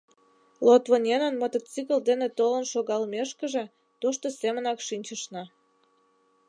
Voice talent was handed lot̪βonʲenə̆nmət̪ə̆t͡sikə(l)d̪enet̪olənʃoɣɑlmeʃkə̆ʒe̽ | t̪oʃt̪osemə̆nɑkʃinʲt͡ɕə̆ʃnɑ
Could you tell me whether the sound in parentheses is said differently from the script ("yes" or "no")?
no